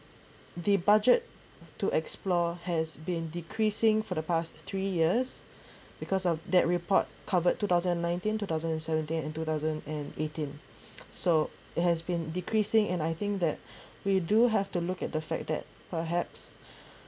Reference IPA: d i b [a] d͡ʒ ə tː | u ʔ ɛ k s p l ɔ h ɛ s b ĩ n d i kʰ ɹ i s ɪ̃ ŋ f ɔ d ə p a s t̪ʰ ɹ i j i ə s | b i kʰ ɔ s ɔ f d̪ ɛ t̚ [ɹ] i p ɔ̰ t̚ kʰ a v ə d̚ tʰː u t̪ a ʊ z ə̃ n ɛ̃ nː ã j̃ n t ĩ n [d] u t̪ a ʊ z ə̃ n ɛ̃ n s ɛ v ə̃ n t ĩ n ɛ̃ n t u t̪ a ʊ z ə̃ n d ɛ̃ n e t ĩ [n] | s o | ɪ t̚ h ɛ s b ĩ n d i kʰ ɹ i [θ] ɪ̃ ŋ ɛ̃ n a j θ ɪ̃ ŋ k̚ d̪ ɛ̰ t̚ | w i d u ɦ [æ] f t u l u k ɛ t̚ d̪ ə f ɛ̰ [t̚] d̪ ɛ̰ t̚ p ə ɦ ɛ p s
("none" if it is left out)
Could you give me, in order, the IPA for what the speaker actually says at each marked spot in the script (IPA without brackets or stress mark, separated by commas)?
a, ɹ, t, n, s, ɛ, k̚